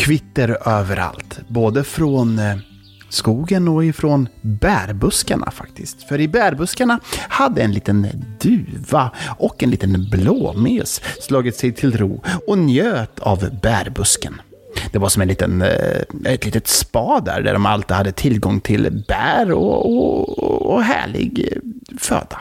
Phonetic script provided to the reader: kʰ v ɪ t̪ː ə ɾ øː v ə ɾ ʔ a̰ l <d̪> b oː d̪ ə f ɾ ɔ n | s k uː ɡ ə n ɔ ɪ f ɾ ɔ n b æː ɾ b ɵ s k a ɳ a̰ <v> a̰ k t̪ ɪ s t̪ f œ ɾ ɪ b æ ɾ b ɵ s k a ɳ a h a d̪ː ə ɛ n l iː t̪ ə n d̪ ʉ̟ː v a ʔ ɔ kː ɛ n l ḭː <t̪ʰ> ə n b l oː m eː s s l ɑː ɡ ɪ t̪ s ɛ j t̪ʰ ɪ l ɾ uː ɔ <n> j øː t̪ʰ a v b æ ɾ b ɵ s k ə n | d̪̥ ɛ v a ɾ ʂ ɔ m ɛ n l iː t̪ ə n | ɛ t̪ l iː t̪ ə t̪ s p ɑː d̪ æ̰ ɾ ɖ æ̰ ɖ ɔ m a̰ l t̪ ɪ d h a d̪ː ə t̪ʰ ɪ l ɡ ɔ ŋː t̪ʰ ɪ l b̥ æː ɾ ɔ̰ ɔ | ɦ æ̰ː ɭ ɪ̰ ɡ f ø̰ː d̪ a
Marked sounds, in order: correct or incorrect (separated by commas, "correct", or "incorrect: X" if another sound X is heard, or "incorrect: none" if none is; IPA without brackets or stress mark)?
incorrect: t̪, incorrect: f, incorrect: t̪, correct